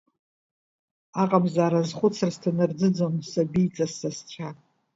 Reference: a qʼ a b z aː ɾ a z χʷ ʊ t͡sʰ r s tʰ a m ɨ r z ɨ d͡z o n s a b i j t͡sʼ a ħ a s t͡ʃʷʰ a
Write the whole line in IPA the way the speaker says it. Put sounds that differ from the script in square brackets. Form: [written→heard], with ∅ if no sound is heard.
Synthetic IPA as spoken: a qʼ a b z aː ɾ a z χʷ ʊ t͡sʰ r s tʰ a [m→n] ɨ r [z→d͡z] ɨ d͡z o n s a b i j t͡sʼ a [ħ→s] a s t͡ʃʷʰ a